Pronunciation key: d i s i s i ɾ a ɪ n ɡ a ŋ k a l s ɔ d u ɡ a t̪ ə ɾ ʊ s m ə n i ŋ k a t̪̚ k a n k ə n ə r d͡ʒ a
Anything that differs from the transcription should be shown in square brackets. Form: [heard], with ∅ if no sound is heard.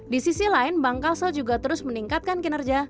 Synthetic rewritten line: d i s i s i [l] a ɪ n [b] a ŋ k a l s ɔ [d͡ʒ] u ɡ a t̪ ə ɾ ʊ s m ə n i ŋ k a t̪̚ k a n k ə n ə r d͡ʒ a